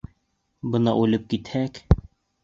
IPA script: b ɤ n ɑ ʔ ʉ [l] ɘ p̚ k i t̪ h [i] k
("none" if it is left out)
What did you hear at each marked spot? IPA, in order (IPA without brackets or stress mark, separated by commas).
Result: l, æ